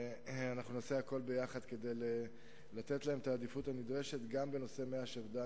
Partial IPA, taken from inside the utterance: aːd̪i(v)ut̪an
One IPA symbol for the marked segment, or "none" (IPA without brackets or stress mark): f